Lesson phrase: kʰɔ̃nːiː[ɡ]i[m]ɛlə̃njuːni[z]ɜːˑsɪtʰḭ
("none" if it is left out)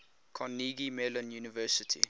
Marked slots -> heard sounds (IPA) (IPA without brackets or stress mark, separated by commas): ɡ, m, v